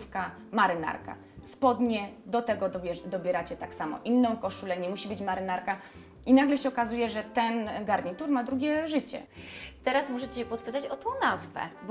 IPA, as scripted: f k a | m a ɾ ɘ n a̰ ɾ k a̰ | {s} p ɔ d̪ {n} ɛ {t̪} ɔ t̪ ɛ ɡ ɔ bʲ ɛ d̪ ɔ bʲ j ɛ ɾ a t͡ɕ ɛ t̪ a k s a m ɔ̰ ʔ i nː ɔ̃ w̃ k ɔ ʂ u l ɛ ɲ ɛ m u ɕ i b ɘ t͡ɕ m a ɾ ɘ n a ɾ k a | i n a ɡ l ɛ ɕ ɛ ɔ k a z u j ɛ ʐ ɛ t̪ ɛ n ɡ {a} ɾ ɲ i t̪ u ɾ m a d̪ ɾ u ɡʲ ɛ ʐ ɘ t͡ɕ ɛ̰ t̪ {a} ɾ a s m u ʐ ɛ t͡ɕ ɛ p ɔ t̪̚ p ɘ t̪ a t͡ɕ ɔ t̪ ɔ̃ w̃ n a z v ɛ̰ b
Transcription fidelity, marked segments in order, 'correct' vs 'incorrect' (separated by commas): correct, incorrect, incorrect, correct, incorrect